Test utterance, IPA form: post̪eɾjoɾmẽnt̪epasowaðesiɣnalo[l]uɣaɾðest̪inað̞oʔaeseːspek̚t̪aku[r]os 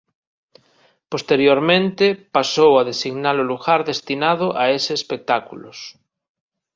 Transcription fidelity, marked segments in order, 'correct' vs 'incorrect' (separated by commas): correct, incorrect